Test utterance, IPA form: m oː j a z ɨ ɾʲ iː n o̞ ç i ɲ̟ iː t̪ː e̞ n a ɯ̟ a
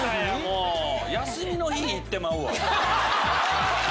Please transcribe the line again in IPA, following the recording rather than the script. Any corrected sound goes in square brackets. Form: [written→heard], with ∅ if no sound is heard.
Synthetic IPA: m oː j a [z→s] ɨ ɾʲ [iː→i] n o̞ ç i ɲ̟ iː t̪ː e̞ [n→m] a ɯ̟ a

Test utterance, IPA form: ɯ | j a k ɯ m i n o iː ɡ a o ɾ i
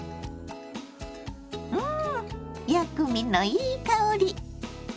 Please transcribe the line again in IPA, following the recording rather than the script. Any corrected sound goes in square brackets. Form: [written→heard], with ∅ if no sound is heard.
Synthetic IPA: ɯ | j a k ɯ m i n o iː [ɡ→k] a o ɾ i

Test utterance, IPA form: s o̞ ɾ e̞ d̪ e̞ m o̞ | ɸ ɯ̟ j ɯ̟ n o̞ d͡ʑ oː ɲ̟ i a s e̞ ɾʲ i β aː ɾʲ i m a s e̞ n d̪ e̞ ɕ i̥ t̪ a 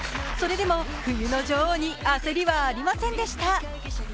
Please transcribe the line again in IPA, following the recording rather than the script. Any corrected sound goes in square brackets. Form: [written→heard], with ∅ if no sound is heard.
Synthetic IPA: s o̞ ɾ e̞ d̪ e̞ m o̞ | ɸ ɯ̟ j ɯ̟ n o̞ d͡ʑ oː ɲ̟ i a s e̞ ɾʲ i β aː ɾʲ i m a s [e̞→ẽ̞] n d̪ e̞ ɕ i̥ t̪ a

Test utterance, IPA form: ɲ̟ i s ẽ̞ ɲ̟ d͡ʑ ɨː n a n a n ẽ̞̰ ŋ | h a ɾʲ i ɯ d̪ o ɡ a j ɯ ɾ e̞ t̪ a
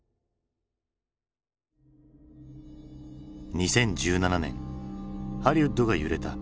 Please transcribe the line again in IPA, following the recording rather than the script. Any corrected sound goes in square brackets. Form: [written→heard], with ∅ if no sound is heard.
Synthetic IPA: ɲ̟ i s ẽ̞ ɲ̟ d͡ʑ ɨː n a n a n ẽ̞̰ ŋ | h a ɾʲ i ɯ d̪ o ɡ a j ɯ ɾ e̞ t̪ a

